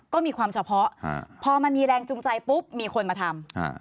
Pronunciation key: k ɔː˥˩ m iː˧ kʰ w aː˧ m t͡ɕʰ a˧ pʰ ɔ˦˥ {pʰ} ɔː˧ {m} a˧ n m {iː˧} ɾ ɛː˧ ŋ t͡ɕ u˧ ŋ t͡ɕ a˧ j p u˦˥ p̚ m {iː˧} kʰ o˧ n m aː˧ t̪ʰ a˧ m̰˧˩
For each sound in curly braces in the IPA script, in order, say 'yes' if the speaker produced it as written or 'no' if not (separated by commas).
yes, yes, yes, yes